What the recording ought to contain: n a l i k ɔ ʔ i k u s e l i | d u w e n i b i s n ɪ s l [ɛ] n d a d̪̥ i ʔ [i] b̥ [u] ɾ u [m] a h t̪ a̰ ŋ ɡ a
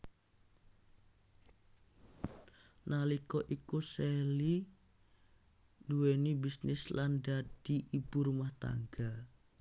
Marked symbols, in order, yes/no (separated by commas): no, yes, yes, yes